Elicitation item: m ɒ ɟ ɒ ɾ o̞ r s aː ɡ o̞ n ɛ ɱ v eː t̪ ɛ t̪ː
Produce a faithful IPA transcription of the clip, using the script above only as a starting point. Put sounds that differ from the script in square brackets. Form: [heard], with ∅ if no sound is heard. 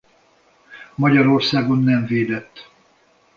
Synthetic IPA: m ɒ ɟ ɒ ɾ o̞ r s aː ɡ o̞ [nː] ɛ ɱ v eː [d̪] ɛ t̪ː